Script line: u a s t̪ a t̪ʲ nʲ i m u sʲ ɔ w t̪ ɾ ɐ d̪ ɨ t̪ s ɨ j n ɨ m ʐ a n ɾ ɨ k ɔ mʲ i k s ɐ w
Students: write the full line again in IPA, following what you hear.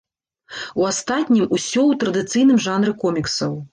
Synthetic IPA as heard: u a s t̪ a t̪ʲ nʲ i m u sʲ ɔ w t̪ ɾ ɐ d̪ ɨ t̪ s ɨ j n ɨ m ʐ a n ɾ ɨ k ɔ mʲ i k s ɐ w